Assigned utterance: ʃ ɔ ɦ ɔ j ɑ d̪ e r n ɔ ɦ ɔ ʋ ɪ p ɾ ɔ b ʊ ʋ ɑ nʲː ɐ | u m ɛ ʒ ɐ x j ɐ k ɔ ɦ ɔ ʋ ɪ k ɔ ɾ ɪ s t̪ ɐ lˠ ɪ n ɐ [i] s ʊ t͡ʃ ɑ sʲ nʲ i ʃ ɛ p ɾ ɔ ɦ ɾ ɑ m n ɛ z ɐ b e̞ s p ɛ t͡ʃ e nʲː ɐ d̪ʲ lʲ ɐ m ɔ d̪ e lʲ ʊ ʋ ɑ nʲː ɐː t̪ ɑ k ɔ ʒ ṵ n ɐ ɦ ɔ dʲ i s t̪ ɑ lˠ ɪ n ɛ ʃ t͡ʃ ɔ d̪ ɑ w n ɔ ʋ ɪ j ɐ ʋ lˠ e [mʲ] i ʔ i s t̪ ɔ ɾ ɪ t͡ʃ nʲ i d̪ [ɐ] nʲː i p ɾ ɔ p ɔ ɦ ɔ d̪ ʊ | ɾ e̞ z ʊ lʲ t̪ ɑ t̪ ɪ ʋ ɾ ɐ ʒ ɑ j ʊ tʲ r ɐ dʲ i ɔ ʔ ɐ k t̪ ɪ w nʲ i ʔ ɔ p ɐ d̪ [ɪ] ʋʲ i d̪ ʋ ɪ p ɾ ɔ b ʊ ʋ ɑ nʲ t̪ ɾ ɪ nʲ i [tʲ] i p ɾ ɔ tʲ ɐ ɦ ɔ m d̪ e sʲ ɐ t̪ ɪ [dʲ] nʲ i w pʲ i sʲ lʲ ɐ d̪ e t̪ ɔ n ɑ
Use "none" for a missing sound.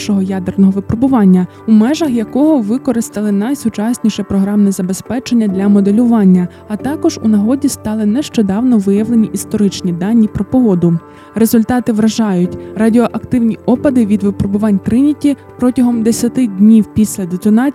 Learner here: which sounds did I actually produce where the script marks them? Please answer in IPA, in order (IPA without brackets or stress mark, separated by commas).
j, nʲ, ɑ, ɪ, tʲ, dʲ